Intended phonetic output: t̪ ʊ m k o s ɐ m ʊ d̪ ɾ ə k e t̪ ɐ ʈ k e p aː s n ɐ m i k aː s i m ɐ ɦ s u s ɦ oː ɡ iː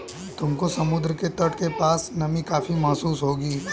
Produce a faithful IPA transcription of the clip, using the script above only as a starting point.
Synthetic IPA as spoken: t̪ ʊ m k o s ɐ m ʊ d̪ ɾ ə k e t̪ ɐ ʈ k e p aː s n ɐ m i k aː f i m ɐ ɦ s uː s ɦ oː ɡ iː